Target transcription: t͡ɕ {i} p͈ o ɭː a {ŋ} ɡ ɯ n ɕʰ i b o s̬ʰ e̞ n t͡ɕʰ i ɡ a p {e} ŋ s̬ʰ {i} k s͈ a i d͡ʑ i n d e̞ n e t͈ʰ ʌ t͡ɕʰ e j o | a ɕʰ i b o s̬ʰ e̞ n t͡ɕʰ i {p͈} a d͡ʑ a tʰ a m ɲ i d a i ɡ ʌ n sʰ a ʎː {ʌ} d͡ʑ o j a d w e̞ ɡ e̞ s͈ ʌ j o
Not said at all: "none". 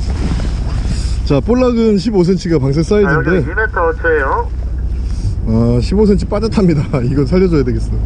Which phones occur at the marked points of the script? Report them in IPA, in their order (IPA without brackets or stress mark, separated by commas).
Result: a, none, a, e, p͈, ʌ